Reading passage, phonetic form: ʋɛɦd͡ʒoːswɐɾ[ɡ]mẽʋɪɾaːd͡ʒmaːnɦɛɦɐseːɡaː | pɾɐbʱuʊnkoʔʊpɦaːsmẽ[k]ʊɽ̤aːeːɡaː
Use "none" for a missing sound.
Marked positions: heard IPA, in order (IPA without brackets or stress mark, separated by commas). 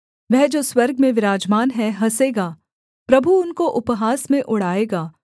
ɡ, ʔ